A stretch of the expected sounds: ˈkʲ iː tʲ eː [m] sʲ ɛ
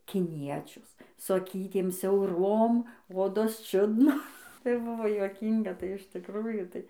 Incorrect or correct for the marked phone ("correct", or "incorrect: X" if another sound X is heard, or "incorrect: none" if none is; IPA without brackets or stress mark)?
correct